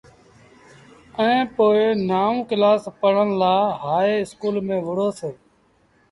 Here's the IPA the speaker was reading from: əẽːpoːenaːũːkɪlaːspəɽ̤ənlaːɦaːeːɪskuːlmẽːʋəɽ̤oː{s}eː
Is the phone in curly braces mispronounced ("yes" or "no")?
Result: no